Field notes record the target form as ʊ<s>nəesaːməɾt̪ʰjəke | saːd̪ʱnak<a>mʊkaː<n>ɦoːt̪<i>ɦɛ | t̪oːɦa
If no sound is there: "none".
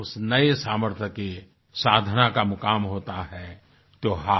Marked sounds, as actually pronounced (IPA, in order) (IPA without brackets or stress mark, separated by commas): s, a, m, a